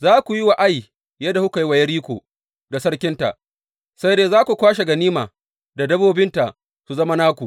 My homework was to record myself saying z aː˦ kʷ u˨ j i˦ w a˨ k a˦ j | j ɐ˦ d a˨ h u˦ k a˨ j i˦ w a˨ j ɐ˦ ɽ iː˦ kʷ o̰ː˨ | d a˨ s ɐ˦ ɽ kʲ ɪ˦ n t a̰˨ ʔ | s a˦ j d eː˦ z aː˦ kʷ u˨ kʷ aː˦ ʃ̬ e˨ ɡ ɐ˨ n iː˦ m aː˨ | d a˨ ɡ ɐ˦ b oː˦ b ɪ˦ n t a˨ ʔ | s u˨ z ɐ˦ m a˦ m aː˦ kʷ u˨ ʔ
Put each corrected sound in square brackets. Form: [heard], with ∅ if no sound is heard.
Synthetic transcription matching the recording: z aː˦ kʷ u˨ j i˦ w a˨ [ʔ] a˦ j | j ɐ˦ d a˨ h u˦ k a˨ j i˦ w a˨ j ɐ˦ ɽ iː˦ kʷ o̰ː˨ | d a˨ s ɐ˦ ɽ kʲ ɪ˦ n t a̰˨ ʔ | s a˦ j d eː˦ z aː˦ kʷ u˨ kʷ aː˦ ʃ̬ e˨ ɡ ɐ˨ n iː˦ m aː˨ | d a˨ [d] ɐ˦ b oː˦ b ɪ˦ n t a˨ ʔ | s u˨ z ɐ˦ m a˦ [n] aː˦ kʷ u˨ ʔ

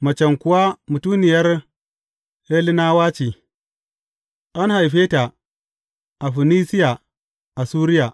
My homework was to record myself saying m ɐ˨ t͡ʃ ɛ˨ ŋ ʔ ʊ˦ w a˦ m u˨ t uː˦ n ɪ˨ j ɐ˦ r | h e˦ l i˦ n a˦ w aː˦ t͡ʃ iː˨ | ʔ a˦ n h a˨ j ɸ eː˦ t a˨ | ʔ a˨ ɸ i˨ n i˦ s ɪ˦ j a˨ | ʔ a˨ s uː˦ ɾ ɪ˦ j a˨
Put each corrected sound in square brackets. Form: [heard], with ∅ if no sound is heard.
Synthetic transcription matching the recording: m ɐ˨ t͡ʃ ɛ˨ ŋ [k] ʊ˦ w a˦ m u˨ t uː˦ n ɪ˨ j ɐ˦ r | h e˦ l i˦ n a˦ w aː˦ t͡ʃ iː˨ | ʔ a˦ n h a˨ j ɸ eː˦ t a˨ | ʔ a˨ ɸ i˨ n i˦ s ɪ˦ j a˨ | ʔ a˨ s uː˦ ɾ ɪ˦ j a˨

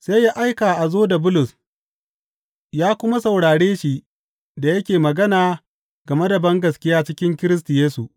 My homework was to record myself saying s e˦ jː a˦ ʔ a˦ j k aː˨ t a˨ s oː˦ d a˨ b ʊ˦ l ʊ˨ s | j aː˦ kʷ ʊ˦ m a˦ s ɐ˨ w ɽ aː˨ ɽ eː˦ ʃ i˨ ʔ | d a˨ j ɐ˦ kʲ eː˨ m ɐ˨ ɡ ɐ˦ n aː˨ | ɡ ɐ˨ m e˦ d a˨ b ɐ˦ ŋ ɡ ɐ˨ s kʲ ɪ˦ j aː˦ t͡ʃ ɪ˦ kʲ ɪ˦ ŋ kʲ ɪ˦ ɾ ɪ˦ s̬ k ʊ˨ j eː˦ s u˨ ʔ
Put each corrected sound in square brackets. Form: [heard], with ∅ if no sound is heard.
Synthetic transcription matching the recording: s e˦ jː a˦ ʔ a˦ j k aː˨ [ʔ] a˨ [z] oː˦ d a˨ b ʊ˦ l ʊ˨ s | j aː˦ kʷ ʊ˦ m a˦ s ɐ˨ w ɽ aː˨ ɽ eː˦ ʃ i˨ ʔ | d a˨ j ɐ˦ kʲ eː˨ m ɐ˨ ɡ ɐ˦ n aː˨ | ɡ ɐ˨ m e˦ d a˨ b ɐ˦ ŋ ɡ ɐ˨ s kʲ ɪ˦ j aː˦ t͡ʃ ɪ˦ kʲ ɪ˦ ŋ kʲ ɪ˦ ɾ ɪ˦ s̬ [t] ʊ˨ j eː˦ s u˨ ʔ

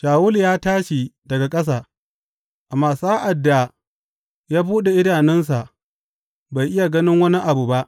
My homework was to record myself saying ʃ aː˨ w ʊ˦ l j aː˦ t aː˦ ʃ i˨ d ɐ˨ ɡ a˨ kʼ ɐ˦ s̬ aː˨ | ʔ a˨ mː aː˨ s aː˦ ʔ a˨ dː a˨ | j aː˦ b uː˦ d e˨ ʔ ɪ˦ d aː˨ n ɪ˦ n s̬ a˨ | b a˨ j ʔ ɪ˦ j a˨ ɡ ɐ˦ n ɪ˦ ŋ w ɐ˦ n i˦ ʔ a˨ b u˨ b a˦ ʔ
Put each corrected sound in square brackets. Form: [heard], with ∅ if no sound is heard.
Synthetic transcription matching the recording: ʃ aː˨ w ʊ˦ l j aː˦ t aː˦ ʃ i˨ d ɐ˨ ɡ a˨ kʼ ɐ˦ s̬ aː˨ | ʔ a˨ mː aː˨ s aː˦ ʔ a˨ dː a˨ | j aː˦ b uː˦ [ɗ] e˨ ʔ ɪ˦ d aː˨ n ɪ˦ n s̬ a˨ | b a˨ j ʔ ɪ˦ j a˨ ɡ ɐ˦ n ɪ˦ ŋ w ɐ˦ n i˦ ʔ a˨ b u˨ b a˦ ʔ

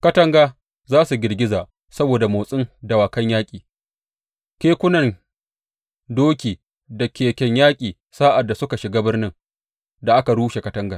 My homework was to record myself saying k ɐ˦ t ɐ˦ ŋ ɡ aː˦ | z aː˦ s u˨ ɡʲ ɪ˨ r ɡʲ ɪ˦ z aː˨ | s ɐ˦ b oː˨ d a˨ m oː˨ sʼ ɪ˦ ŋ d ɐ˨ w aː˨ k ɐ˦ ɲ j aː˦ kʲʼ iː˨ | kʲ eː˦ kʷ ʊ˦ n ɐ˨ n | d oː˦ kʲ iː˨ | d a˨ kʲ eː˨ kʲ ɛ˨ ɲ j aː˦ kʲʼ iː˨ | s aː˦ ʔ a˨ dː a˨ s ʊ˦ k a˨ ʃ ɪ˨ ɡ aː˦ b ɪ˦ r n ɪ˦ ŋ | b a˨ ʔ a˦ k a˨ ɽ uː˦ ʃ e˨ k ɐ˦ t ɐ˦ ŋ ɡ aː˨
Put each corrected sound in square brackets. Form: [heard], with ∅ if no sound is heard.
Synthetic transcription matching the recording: k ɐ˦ t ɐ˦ ŋ ɡ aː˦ | z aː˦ s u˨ ɡʲ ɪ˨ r ɡʲ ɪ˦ z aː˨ | s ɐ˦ b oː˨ d a˨ m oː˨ sʼ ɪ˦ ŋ d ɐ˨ w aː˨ k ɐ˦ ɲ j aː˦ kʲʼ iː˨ | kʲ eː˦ kʷ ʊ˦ n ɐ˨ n | d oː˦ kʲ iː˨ | d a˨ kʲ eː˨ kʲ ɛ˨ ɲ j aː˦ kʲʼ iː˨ | s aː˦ ʔ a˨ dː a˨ s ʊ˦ k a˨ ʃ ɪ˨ ɡ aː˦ b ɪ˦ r n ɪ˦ ŋ | [d] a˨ ʔ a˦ k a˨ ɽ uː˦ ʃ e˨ k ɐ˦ t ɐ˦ ŋ ɡ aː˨

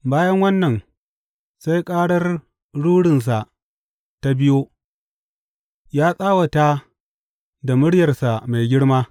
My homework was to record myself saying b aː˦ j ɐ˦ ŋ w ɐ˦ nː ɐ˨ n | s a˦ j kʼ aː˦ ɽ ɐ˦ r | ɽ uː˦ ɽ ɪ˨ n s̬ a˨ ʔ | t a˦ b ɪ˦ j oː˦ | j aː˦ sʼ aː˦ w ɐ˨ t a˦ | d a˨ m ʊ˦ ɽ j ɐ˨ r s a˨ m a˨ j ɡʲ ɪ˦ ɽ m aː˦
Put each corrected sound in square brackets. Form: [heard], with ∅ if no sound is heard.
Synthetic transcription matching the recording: b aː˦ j ɐ˦ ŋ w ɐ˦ nː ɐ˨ n | s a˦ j kʼ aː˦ ɽ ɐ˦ r | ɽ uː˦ ɽ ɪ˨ n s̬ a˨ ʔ | t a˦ b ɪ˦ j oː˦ | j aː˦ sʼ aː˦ w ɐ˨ t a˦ | d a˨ m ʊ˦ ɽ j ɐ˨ r s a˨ m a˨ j ɡʲ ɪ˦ ɽ m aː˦

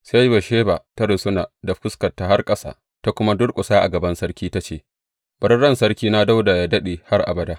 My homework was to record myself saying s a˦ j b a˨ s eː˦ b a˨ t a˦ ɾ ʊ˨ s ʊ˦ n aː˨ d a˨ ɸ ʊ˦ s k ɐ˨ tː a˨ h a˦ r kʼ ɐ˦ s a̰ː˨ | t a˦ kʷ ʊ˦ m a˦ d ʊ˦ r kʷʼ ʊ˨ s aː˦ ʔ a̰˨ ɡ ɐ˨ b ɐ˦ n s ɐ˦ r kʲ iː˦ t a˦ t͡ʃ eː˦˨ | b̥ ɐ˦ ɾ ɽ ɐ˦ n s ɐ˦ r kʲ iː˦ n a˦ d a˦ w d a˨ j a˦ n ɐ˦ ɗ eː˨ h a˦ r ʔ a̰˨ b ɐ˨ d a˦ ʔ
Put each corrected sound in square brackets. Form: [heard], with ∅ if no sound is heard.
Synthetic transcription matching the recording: s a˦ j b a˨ [ʃ] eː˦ b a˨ t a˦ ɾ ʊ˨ s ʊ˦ n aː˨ d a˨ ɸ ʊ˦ s k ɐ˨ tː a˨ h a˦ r kʼ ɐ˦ s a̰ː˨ | t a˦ kʷ ʊ˦ m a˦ d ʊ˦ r kʷʼ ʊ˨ s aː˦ ʔ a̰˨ ɡ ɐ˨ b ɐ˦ n s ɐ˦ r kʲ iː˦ t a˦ t͡ʃ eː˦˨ | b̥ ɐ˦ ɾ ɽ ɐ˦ n s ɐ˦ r kʲ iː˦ n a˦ d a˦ w d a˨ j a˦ [d] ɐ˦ ɗ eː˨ h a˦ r ʔ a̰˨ b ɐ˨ d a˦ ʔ

